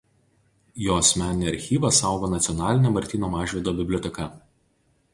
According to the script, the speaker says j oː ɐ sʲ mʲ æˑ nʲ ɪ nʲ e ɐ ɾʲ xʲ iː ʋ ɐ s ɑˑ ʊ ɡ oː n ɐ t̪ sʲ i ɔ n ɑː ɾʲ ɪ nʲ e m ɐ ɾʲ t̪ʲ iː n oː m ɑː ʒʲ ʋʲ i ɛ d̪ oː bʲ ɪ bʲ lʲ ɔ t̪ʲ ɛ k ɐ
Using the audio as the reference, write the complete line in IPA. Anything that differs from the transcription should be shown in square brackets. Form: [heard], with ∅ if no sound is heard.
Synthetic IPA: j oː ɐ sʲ mʲ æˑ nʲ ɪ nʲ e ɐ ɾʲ xʲ iː ʋ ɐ s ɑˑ ʊ ɡ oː n ɐ t̪ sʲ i ɔ n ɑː [lʲ] ɪ nʲ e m ɐ ɾʲ t̪ʲ iː n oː m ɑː ʒʲ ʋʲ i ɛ d̪ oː bʲ ɪ bʲ lʲ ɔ t̪ʲ ɛ k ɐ